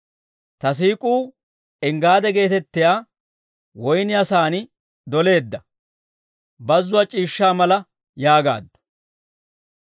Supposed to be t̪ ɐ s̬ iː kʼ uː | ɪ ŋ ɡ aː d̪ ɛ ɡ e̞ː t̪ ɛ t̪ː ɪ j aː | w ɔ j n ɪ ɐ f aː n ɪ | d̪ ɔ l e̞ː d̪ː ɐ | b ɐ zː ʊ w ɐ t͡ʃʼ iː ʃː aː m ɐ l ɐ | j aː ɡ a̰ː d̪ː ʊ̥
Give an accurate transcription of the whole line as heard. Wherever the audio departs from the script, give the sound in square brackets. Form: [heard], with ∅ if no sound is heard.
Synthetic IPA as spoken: t̪ ɐ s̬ iː kʼ uː | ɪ ŋ ɡ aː d̪ ɛ ɡ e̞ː t̪ ɛ t̪ː ɪ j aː | w ɔ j n ɪ ɐ [s] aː n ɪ | d̪ ɔ l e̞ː d̪ː ɐ | b ɐ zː ʊ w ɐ t͡ʃʼ iː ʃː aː m ɐ l ɐ | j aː ɡ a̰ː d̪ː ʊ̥